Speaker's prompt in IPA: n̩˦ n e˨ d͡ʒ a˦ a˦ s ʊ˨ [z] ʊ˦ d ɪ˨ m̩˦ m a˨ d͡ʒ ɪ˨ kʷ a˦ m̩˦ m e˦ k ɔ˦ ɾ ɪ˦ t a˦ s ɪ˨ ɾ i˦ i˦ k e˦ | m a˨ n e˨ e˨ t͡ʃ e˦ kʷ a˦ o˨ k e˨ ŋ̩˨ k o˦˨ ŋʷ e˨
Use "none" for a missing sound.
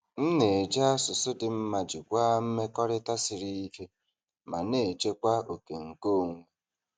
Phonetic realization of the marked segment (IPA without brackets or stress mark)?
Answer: s